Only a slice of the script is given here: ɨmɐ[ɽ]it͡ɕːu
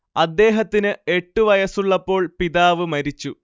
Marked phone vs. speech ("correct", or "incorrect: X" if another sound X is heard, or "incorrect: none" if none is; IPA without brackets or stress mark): incorrect: ɾ